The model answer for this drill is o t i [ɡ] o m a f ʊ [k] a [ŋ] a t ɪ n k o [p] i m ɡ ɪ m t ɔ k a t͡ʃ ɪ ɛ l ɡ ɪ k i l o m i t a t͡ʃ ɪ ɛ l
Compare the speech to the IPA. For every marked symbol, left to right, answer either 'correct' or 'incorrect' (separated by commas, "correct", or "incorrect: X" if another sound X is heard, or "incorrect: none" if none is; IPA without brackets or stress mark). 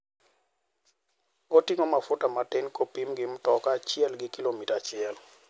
incorrect: ŋ, incorrect: t, incorrect: m, correct